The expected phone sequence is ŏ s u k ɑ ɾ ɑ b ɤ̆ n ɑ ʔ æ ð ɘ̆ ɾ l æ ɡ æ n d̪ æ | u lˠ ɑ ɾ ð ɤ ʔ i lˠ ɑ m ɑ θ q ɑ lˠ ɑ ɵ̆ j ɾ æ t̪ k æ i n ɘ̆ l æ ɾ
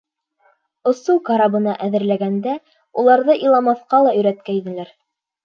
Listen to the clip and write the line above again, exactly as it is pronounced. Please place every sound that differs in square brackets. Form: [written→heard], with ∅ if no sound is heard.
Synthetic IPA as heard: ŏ s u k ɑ ɾ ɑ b ɤ̆ n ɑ ʔ æ ð ɘ̆ ɾ l æ ɡ æ n d̪ æ | u lˠ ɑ ɾ ð ɤ ʔ i lˠ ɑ m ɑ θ q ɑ lˠ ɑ ɵ̆ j ɾ æ t̪ k æ i n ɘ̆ l æ ɾ